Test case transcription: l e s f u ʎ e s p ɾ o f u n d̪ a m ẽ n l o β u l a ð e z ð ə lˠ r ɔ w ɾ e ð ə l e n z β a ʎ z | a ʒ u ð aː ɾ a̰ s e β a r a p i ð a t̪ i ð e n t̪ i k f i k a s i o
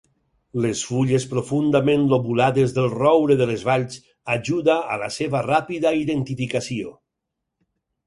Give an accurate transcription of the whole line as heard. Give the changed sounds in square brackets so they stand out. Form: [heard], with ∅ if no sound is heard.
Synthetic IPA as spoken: l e s f u ʎ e s p ɾ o f u n d̪ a m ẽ n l o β u l a ð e z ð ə lˠ r ɔ w ɾ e ð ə l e [∅] z β a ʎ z | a ʒ u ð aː [l] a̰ s e β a r a p i ð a [∅] i ð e n t̪ i [∅] f i k a s i o

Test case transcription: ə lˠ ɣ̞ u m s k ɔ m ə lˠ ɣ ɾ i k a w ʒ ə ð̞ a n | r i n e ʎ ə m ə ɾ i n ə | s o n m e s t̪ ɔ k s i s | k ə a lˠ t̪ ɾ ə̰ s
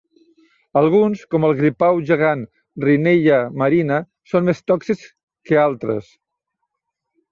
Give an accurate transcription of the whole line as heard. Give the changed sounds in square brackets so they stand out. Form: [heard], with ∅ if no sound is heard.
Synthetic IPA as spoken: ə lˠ ɣ̞ u [n] s k ɔ m ə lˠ ɣ ɾ i [p] a w ʒ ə [ɣ̞] a n | r i n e ʎ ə m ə ɾ i n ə | s o n m e s t̪ ɔ k s i s | k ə a lˠ t̪ ɾ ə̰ s

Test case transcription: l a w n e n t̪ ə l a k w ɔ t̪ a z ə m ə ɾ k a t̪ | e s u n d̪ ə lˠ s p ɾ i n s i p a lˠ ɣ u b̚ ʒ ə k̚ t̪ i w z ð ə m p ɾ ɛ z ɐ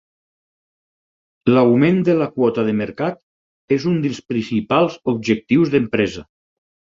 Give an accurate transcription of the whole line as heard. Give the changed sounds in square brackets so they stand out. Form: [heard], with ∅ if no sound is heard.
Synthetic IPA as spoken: l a w [m] e n [d̪] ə l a k w ɔ t̪ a [ð] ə m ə ɾ k a t̪ | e [z] u n d̪ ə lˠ s p ɾ i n s i p a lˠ [z] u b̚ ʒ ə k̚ t̪ i w z ð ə m p ɾ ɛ z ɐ

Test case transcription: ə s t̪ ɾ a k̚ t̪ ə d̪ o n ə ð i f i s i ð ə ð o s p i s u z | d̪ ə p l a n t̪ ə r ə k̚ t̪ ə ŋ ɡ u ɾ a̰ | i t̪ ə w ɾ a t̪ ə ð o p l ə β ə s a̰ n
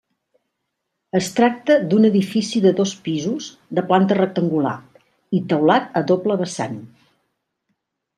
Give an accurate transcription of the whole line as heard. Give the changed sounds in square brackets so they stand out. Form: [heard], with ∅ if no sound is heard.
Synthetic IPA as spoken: ə s t̪ ɾ a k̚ t̪ ə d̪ [u] n ə ð i f i s i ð ə ð o s p i [z] u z | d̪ ə p l a n t̪ ə r ə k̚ t̪ ə ŋ ɡ u [l] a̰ | i t̪ ə w [l] a t̪ ə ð o p l ə β ə s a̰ n

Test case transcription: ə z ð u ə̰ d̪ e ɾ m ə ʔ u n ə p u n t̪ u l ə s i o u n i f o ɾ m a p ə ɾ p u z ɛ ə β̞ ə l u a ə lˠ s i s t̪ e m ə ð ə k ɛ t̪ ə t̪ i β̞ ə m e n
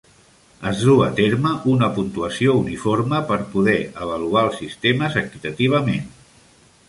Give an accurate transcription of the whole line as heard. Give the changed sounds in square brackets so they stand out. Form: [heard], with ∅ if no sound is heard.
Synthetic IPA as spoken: ə z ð u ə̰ [t̪] e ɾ m ə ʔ u n ə p u n t̪ u [∅] ə s i o u n i f o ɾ m [ə] p ə ɾ p u [ð] ɛ ə β̞ ə l u a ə lˠ s i s t̪ e m ə [z] ə k [i] t̪ ə t̪ i β̞ ə m e n

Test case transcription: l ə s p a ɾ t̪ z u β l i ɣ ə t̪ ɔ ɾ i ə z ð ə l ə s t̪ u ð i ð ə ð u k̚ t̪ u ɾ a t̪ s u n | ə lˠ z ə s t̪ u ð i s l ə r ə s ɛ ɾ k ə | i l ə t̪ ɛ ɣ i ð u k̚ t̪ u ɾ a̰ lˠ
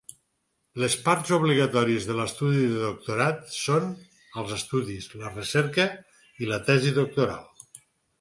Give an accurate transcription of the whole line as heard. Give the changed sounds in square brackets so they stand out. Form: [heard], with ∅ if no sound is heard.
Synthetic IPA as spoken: l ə s p a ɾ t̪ z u β l i ɣ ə t̪ ɔ ɾ i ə z ð ə l ə s t̪ u ð i ð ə ð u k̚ t̪ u ɾ a t̪ s [o] n | ə lˠ z ə s t̪ u ð i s l ə r ə s ɛ ɾ k ə | i l ə t̪ ɛ [z] i ð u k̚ t̪ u ɾ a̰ lˠ

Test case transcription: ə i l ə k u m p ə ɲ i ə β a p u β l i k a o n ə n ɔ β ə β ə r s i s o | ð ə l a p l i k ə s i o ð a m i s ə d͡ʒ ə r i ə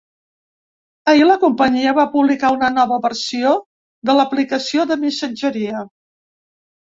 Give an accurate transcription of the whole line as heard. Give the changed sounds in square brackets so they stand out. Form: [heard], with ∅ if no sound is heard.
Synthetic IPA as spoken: ə i l ə k u m p ə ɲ i ə β a p u β l i k a [u] n ə n ɔ β ə β ə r s i [∅] o | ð ə l [ə] p l i k ə s i o ð [ə] m i s ə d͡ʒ ə [ɾ] i ə

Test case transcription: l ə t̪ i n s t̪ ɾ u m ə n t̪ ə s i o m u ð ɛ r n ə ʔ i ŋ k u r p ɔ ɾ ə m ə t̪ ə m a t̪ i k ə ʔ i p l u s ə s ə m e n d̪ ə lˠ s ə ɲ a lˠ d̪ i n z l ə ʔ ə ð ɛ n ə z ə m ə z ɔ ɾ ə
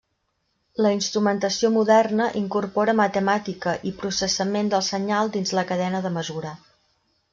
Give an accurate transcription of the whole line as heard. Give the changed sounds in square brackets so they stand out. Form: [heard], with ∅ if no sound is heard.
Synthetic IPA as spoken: l ə [∅] i n s t̪ ɾ u m ə n t̪ ə s i o m u ð ɛ r n ə ʔ i ŋ k u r p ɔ ɾ ə m ə t̪ ə m a t̪ i k ə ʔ i p [ɾ] u s ə s ə m e n d̪ ə lˠ s ə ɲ a lˠ d̪ i n z l ə [k] ə ð ɛ n ə [ð] ə m ə z [u] ɾ ə

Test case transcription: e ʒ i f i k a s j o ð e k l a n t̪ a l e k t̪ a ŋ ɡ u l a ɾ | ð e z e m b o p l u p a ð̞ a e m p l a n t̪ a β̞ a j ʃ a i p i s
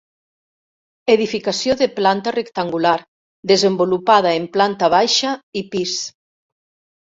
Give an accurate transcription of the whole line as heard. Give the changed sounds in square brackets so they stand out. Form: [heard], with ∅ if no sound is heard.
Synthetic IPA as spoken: e [ð] i f i k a s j o ð e [p] l a n t̪ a [r] e k t̪ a ŋ ɡ u l a ɾ | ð e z e m b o [∅] l u p a ð̞ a e m p l a n t̪ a β̞ a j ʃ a i p i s

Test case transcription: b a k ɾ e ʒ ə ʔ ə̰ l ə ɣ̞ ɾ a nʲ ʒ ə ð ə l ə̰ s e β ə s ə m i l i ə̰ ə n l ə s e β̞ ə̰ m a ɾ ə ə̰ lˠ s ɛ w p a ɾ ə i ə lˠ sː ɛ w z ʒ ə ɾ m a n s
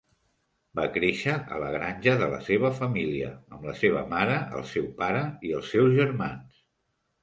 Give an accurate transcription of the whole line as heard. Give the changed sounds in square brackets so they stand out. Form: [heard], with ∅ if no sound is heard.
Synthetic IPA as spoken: b a k ɾ e [ʃ] ə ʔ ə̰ l ə ɣ̞ ɾ a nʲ ʒ ə ð ə l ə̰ s e β ə [f] ə m i l i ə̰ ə [m] l ə s e β̞ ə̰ m a ɾ ə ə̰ lˠ s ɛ w p a ɾ ə i ə lˠ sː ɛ w z ʒ ə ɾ m a n s

